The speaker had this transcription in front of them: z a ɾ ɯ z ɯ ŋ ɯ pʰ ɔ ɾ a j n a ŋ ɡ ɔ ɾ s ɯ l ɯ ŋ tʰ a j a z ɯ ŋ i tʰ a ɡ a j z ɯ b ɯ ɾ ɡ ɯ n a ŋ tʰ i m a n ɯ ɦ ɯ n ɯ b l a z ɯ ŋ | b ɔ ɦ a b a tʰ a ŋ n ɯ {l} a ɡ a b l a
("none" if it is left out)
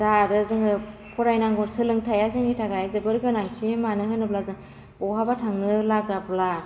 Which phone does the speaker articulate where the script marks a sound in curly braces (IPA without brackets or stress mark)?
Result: l